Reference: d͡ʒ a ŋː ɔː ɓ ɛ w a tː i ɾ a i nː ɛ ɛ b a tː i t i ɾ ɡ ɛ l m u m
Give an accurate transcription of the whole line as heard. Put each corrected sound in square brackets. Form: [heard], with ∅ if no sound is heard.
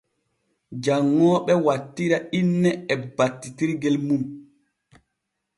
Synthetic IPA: d͡ʒ a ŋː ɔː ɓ ɛ w a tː i ɾ a i nː ɛ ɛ b a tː i t i ɾ ɡ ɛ l m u m